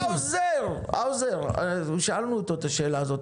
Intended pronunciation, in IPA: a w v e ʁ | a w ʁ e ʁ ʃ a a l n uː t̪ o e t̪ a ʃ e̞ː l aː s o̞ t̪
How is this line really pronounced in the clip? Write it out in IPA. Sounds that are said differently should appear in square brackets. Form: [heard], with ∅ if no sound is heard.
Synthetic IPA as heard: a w [z] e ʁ | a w [z] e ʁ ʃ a a l n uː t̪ o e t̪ a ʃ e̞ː l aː [z] o̞ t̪